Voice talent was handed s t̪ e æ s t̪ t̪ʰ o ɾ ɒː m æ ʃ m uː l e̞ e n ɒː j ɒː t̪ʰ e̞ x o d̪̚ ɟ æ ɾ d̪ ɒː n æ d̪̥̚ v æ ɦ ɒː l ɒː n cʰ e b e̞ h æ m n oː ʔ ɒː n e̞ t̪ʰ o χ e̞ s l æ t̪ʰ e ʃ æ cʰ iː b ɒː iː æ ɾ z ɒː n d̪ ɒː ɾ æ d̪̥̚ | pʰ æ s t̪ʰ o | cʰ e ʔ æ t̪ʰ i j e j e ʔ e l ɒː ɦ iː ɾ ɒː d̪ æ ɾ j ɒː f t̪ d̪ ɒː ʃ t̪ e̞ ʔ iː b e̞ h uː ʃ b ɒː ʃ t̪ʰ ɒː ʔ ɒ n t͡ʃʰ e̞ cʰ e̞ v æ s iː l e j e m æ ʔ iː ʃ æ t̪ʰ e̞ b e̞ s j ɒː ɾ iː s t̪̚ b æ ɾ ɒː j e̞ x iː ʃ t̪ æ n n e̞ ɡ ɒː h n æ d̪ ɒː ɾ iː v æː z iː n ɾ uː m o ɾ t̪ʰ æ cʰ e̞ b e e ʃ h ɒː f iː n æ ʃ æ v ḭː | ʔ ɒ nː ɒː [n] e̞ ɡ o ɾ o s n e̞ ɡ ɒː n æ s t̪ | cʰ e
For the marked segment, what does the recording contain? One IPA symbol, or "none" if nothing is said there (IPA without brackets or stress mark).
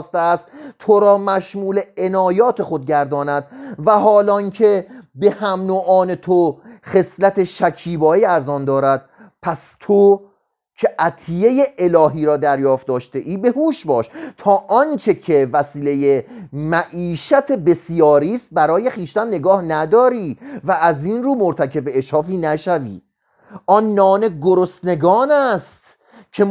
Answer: n